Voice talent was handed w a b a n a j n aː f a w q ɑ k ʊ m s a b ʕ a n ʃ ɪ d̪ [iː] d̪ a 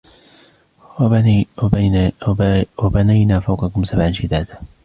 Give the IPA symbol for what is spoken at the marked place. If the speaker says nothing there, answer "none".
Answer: aː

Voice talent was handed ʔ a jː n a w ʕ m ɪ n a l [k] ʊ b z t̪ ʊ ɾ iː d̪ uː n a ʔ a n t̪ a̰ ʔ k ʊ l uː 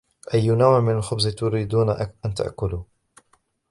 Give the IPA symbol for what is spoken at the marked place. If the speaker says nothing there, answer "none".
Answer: x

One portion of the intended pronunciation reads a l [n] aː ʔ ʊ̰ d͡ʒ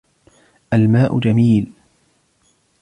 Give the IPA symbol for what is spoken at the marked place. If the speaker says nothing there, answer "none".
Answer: m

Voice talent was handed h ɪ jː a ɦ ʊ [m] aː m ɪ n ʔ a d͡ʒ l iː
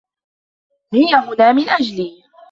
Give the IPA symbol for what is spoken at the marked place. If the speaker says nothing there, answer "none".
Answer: n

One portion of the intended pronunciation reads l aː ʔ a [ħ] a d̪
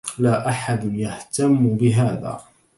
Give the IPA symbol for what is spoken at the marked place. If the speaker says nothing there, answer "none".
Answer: ħ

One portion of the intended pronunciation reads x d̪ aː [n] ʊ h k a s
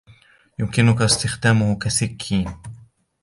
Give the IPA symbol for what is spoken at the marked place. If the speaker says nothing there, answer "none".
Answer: m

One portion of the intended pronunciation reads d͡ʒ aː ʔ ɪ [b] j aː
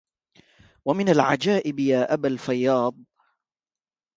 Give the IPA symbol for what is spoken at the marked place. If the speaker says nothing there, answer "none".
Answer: b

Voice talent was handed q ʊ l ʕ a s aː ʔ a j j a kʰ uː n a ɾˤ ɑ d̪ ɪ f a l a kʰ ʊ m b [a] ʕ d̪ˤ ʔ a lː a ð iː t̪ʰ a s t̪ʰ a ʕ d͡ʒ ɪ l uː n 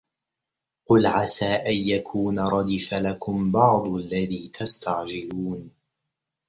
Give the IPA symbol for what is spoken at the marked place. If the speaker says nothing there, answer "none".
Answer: ɑ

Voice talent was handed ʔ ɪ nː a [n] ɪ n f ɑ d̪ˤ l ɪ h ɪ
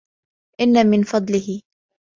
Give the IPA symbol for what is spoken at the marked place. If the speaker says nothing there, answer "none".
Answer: m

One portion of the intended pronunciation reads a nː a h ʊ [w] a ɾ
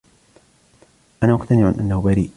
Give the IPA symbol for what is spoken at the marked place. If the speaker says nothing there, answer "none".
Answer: b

